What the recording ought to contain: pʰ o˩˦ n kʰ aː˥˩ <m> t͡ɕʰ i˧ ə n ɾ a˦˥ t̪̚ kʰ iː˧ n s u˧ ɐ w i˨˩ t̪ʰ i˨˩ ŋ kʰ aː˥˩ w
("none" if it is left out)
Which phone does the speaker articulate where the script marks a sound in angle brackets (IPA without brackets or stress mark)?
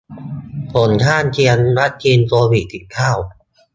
n